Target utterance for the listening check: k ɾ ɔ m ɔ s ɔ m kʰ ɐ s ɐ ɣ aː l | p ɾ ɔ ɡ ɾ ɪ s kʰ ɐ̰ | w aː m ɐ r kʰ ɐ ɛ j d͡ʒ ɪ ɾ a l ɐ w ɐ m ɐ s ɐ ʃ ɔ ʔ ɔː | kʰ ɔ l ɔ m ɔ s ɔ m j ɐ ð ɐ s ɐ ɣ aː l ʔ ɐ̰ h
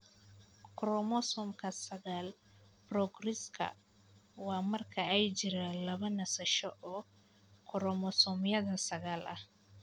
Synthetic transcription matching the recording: k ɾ ɔ m ɔ s ɔ m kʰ ɐ s ɐ ɣ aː l | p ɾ ɔ ɡ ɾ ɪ s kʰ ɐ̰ | w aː m ɐ r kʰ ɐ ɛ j d͡ʒ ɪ ɾ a l ɐ β ɐ n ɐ s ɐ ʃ ɔ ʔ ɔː | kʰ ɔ ɾ ɔ m ɔ s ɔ m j ɐ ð ɐ s ɐ ɣ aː l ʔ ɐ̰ h